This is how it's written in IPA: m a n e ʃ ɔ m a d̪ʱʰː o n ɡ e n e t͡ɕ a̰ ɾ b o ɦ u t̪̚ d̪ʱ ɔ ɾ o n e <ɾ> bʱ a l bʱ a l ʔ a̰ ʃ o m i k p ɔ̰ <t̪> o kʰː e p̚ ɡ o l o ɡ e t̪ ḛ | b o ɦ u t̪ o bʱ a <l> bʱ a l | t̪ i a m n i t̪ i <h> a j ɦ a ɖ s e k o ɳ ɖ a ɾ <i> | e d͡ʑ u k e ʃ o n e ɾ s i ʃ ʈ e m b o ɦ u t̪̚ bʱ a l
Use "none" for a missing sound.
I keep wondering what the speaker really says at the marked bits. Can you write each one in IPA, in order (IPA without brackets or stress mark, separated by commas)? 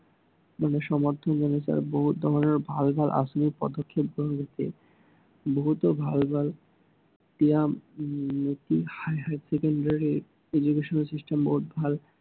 ɾ, d̪, l, h, i